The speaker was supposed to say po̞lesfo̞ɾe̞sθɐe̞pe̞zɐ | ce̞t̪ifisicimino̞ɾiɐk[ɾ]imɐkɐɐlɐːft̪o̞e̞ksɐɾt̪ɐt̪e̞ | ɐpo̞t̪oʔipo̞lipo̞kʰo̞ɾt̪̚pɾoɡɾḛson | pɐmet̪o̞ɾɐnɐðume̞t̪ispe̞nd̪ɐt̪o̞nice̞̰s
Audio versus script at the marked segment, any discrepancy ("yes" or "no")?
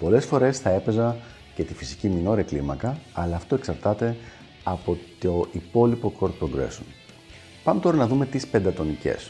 yes